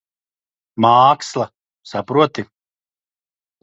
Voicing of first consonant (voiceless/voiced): voiced